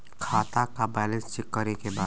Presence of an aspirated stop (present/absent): present